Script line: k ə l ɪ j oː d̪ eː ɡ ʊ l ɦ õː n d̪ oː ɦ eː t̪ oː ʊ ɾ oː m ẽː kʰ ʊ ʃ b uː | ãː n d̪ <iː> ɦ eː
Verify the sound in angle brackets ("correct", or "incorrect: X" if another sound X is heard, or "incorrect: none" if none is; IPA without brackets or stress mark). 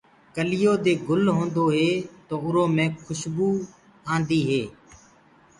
correct